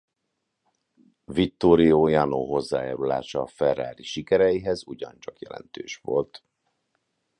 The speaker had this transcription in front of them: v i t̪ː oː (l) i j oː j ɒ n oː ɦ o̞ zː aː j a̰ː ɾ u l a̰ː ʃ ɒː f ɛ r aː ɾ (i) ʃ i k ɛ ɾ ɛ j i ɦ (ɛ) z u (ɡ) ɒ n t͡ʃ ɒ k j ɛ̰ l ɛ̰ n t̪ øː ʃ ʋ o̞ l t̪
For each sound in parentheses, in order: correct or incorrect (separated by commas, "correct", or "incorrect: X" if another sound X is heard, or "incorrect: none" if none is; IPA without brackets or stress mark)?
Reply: incorrect: ɾ, correct, correct, incorrect: ɟ